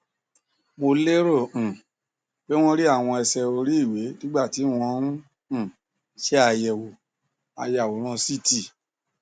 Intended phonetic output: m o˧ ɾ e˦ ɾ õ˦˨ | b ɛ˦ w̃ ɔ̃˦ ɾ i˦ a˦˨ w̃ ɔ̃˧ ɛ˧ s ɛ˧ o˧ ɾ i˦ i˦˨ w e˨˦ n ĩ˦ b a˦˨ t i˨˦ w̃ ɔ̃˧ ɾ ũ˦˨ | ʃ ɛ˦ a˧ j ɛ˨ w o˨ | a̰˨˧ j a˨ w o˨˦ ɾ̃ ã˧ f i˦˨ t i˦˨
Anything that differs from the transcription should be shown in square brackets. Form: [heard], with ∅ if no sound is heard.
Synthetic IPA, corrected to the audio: m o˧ [l] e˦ ɾ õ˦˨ | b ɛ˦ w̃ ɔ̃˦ ɾ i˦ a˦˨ w̃ ɔ̃˧ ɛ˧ s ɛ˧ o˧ ɾ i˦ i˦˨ w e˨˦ n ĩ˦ [ɡ͡b] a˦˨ t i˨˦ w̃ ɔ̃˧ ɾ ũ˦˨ | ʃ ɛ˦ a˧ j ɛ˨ w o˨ | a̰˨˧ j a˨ w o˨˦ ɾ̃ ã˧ [s] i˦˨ t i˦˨